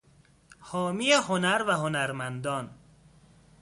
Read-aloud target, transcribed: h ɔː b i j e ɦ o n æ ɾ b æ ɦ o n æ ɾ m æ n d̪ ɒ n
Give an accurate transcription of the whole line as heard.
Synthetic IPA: h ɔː m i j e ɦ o n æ ɾ v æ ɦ o n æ ɾ m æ n d̪ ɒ n